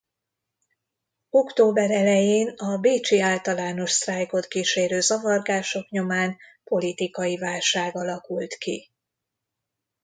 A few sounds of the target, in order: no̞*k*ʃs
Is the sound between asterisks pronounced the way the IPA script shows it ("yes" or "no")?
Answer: no